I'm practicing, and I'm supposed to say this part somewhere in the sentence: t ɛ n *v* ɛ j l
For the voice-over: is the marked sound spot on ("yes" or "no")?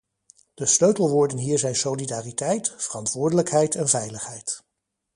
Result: yes